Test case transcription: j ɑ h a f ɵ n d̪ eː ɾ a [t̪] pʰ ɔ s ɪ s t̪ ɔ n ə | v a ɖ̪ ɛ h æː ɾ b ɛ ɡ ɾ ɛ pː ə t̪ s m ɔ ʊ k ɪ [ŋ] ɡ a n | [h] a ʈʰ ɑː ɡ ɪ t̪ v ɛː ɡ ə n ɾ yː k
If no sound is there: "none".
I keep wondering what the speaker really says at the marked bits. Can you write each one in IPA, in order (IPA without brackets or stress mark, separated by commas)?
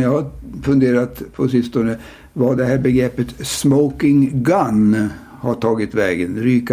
t̪, ŋ, h